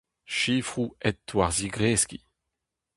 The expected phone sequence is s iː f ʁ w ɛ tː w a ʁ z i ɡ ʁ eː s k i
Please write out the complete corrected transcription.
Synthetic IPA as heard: ʃ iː f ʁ u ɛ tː w a ʁ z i ɡ ʁ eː s k i